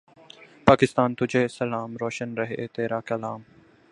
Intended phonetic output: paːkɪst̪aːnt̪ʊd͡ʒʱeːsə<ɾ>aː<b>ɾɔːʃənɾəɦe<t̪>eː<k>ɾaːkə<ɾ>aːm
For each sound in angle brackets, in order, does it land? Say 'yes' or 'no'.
no, no, yes, no, no

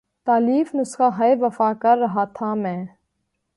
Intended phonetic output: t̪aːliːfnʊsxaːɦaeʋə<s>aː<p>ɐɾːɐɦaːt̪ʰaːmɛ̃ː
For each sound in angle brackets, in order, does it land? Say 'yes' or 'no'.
no, no

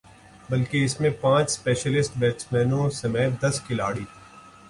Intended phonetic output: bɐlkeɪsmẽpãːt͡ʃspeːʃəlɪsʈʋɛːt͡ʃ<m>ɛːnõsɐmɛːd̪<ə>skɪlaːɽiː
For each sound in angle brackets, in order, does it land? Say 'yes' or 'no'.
yes, no

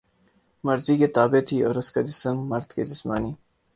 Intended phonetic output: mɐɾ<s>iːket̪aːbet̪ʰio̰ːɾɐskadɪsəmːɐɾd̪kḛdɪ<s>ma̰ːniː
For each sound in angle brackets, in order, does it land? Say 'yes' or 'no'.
no, yes

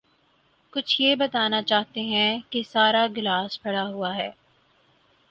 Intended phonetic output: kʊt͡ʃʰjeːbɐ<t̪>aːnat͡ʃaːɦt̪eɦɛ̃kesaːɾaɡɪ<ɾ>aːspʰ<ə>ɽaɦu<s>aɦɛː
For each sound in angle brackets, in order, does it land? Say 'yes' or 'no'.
yes, no, no, no

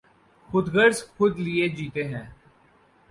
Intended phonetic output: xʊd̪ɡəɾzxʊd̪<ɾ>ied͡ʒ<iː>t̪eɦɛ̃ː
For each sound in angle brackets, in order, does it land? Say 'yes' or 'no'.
no, yes

